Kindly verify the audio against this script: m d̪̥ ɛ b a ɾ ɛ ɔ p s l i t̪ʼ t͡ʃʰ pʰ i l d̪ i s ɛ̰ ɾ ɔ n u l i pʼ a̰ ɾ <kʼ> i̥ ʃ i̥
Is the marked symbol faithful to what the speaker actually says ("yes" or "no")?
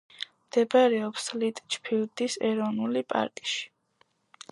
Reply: yes